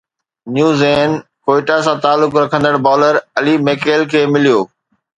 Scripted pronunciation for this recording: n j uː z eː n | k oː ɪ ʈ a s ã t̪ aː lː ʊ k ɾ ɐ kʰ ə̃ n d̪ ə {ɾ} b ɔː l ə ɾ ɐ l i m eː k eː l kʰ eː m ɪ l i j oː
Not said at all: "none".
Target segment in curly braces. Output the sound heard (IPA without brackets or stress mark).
ɽ